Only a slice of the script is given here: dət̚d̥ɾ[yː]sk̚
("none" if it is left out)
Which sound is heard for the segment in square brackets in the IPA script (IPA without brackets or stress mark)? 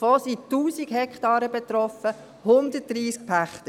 iː